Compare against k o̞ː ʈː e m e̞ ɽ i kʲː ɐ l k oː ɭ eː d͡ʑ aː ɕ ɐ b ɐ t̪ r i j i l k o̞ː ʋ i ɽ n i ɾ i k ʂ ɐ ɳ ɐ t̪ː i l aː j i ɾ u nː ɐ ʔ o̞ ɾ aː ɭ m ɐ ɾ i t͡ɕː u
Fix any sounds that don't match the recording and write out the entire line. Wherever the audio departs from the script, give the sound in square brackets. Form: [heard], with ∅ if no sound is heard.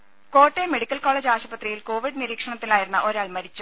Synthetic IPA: k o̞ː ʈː e m e̞ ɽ i kʲː ɐ l k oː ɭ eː d͡ʑ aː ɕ ɐ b ɐ t̪ r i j i l k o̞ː ʋ i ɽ n i ɾ [iː] k ʂ ɐ ɳ ɐ t̪ː i l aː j i ɾ u nː ɐ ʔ o̞ ɾ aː ɭ m ɐ ɾ i t͡ɕː u